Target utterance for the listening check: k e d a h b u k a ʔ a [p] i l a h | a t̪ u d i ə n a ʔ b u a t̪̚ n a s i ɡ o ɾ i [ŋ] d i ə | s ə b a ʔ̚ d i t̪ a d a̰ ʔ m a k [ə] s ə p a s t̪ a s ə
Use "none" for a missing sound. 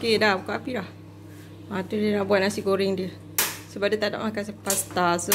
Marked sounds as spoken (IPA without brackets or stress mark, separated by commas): p, ŋ, a